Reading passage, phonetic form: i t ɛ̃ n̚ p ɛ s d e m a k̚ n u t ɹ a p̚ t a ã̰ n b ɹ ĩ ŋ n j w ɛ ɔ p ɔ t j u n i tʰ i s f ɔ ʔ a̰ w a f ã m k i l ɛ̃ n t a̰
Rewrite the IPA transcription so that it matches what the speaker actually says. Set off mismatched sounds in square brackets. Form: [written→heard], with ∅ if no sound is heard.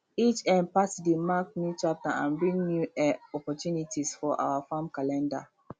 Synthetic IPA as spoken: i [t→t͡ʃ] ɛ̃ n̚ p [ɛ→a] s d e m a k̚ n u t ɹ a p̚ t a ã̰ n b ɹ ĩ ŋ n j [w→u] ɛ ɔ p ɔ t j u n i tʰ i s f ɔ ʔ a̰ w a f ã m k [i→a] l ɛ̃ n [t→d] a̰